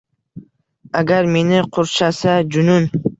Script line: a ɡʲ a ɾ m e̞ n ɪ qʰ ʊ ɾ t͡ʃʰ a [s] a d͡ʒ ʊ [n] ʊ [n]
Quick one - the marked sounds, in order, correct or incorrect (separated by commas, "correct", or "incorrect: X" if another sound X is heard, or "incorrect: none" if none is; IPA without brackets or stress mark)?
correct, correct, correct